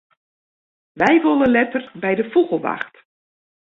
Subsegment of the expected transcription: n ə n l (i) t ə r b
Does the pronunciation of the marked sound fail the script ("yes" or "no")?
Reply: yes